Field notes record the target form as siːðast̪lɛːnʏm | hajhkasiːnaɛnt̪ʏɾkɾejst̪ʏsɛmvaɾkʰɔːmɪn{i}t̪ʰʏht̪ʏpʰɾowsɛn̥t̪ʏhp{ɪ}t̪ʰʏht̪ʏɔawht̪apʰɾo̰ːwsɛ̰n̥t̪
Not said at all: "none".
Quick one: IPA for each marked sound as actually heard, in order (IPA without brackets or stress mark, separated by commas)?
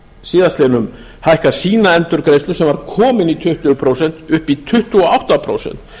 i, i